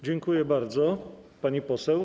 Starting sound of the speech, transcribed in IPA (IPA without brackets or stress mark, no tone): d͡ʑ